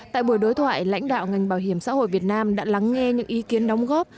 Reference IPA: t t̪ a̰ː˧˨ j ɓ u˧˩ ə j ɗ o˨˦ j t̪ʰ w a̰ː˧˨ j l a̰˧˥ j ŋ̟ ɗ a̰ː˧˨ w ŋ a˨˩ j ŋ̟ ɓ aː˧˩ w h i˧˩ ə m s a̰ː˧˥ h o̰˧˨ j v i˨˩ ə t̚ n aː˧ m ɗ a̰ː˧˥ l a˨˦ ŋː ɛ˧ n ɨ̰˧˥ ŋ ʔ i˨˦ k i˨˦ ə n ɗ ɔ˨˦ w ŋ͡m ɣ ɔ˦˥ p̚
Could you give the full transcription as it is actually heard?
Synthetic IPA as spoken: t t̪ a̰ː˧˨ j ɓ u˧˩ ə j ɗ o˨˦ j t̪ʰ w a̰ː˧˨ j l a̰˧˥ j ŋ̟ ɗ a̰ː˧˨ w ŋ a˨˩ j ŋ̟ ɓ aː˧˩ w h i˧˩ ə m s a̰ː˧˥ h o̰˧˨ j v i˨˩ ə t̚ n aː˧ m ɗ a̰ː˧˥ l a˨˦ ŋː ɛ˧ ɲ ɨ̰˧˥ ŋ ʔ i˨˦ k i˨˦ ə n ɗ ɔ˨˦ w ŋ͡m ɣ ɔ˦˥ p̚